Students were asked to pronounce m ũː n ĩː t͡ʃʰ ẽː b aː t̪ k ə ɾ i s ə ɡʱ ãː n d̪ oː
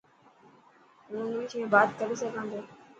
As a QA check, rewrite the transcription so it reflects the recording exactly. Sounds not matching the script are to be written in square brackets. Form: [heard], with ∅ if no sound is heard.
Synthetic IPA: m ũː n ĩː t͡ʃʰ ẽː b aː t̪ k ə ɾ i s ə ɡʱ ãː n d̪ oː